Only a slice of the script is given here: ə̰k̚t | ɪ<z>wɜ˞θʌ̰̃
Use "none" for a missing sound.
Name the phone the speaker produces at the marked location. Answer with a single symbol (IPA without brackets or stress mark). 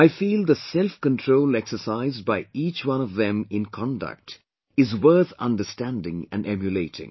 z